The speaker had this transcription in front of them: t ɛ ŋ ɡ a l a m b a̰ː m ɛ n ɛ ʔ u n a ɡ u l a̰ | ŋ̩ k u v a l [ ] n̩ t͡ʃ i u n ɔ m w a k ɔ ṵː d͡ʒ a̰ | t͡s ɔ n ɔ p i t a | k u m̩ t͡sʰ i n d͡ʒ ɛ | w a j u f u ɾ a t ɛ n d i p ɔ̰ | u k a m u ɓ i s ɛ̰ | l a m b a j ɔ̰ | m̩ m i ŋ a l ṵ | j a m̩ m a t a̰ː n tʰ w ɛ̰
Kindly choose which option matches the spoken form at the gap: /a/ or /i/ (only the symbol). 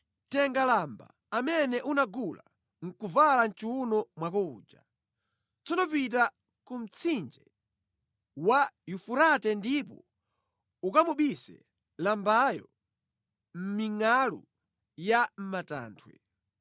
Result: a